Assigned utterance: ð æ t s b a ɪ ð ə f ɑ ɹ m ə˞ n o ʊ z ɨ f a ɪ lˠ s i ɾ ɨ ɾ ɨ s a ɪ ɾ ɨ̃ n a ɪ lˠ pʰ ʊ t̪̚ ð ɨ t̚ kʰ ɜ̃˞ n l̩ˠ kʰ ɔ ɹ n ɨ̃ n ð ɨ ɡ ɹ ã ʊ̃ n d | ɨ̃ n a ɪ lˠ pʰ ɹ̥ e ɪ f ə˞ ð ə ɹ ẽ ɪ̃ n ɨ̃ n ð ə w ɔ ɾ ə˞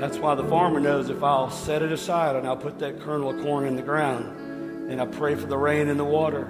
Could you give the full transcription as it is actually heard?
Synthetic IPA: ð æ t s w a ɪ ð ə f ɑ ɹ m ə˞ n o ʊ z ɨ f a ɪ lˠ s ɛ ɾ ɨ ɾ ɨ s a ɪ ɾ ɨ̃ n a ɪ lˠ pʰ ʊ t̪̚ ð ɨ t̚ kʰ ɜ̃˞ n l̩ˠ kʰ ɔ ɹ n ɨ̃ n ð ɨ ɡ ɹ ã ʊ̃ n d | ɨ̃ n a ɪ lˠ pʰ ɹ̥ e ɪ f ə˞ ð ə ɹ ẽ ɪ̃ n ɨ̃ n ð ə w ɔ ɾ ə˞